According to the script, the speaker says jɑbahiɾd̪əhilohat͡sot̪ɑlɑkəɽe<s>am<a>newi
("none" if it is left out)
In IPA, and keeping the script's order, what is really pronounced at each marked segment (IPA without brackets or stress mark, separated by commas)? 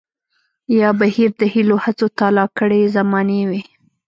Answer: z, ɑ